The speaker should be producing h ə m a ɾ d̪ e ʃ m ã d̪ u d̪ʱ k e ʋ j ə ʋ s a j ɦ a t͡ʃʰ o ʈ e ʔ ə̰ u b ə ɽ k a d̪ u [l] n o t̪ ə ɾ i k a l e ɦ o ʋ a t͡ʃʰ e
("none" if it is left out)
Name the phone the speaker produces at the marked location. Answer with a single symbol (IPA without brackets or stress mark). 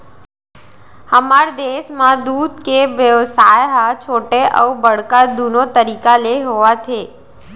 none